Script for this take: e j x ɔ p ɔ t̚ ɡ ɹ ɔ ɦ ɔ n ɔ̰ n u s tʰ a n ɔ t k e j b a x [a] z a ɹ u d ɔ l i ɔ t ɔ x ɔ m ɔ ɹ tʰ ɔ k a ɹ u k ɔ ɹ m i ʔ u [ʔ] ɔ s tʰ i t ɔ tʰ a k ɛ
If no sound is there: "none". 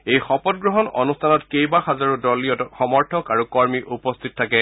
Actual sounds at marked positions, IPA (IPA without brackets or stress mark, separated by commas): a, p